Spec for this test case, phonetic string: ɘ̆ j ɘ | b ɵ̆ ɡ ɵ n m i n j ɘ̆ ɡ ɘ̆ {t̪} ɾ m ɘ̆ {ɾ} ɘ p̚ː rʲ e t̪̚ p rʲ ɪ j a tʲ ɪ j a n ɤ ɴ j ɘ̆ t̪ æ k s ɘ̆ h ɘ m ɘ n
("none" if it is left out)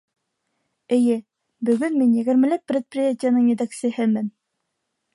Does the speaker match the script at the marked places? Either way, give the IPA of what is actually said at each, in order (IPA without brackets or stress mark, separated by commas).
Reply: none, l